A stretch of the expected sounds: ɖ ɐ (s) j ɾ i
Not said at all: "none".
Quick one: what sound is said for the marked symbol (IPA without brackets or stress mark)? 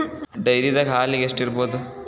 none